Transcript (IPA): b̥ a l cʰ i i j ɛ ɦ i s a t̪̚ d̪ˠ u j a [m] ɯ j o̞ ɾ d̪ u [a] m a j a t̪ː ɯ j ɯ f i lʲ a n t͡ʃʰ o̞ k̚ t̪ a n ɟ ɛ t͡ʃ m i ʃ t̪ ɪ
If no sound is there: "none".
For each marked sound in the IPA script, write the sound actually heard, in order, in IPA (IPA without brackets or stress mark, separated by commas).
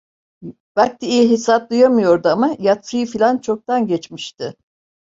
m, a